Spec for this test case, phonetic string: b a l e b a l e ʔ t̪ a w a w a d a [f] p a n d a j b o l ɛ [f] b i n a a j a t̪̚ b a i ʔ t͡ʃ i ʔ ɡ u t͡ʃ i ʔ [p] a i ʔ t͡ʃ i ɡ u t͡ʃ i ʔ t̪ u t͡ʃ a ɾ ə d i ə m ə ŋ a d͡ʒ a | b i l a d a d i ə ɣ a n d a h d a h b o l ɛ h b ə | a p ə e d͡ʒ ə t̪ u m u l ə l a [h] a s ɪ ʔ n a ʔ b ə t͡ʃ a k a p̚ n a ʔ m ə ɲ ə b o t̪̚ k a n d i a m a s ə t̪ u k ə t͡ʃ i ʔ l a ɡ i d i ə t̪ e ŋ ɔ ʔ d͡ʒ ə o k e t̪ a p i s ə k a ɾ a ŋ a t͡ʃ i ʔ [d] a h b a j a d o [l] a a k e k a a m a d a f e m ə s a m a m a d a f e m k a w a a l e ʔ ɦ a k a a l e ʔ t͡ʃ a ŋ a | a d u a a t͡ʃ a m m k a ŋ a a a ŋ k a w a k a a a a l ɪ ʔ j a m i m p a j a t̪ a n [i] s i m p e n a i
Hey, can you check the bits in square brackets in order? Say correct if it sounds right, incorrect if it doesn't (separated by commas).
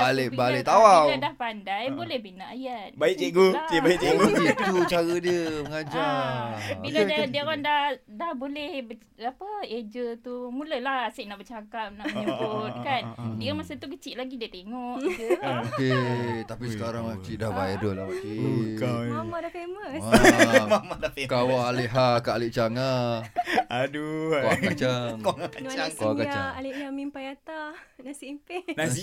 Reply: incorrect, incorrect, incorrect, correct, correct, correct, incorrect